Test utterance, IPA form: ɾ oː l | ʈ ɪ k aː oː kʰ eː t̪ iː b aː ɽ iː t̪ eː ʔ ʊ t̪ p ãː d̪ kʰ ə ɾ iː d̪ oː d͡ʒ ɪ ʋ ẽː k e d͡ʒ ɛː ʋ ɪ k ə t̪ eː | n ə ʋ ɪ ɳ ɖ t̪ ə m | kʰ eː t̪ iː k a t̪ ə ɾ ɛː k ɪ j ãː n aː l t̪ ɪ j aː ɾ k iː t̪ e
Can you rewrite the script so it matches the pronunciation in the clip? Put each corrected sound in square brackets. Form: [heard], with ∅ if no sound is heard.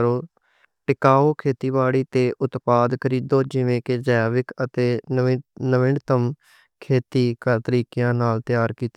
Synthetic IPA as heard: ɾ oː [∅] | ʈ ɪ k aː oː kʰ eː t̪ iː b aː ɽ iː t̪ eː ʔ ʊ t̪ p [aː] d̪ kʰ ə ɾ iː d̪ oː d͡ʒ ɪ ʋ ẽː k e d͡ʒ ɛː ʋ ɪ k ə t̪ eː | n ə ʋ ɪ ɳ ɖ t̪ ə m | kʰ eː t̪ iː k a t̪ ə ɾ [iː] k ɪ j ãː n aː l t̪ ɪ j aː ɾ k iː t̪ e